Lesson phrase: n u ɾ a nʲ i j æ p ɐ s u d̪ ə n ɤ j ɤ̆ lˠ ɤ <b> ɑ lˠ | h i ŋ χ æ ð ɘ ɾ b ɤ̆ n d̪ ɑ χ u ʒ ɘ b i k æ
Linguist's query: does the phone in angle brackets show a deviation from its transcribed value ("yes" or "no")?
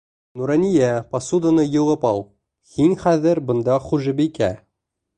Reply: yes